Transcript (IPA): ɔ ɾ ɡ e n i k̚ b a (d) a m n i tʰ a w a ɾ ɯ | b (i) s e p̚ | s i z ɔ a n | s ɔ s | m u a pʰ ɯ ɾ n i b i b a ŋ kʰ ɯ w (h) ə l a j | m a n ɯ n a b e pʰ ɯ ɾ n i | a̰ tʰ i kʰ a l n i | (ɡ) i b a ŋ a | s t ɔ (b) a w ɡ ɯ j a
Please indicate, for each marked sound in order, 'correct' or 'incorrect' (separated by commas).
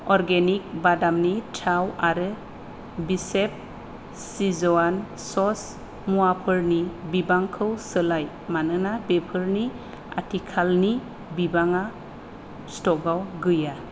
correct, correct, incorrect, incorrect, incorrect